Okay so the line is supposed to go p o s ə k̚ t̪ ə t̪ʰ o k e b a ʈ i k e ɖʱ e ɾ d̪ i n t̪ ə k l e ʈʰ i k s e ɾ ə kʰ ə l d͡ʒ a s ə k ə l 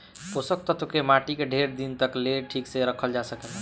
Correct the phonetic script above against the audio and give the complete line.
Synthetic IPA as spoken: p o s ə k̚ t̪ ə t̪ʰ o k e m a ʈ i k e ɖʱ e ɾ d̪ i n t̪ ə k l e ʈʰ i k s e ɾ ə kʰ ə l d͡ʒ a s ə k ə l